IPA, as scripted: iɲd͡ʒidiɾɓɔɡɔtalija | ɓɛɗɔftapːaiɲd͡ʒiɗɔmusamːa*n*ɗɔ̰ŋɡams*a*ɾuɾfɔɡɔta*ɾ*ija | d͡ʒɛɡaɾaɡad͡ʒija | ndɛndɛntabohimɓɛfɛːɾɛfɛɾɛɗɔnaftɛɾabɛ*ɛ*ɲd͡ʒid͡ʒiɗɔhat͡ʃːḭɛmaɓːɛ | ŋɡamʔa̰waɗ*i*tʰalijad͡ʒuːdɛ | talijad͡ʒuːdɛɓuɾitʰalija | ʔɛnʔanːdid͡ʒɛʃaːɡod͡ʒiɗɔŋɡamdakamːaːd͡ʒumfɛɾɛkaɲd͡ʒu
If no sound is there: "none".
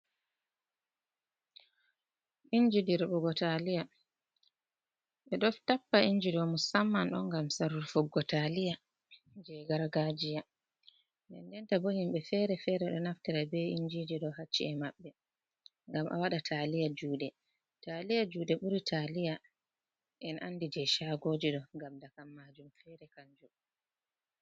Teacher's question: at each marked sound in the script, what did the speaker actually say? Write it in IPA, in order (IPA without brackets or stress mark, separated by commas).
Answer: n, a, l, i, a